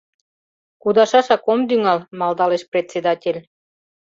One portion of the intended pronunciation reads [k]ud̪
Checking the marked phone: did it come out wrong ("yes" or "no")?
no